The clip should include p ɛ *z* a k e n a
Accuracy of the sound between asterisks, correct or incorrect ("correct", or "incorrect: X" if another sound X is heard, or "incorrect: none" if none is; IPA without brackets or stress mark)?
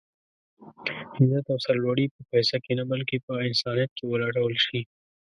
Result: incorrect: s